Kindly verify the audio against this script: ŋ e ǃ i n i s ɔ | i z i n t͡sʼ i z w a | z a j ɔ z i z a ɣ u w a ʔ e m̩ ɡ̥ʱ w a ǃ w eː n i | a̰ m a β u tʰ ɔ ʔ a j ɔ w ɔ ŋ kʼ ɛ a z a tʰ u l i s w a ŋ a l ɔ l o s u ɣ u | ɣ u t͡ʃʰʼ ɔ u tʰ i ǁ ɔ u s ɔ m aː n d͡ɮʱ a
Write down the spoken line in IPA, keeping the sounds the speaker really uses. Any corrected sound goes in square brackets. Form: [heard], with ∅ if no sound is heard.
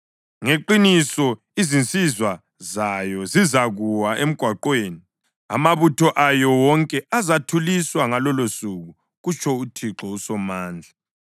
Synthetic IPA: ŋ e ǃ i n i s ɔ | i z i n t͡sʼ i z w a | z a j ɔ z i z a ɣ u w a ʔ e m̩ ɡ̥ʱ w a ǃ w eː n i | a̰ m a β u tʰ ɔ ʔ a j ɔ w ɔ ŋ kʼ ɛ a z a tʰ u l i s w a ŋ a l ɔ l o s u ɣ u | ɣ u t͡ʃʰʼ ɔ u tʰ i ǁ ɔ u s ɔ m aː n d͡ɮʱ a